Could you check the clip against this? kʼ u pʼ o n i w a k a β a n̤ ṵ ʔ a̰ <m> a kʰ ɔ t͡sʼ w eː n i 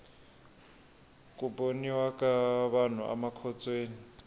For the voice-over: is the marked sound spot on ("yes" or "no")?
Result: yes